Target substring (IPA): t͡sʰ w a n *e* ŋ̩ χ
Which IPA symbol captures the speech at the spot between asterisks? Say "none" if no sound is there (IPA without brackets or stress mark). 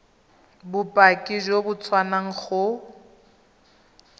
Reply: a